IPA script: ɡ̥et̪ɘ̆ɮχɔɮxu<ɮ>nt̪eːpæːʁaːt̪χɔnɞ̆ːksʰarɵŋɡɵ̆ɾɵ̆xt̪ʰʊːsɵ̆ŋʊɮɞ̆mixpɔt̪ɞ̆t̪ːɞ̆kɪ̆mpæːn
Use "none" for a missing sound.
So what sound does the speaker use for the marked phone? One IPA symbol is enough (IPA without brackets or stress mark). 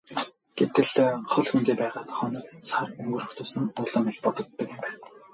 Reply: none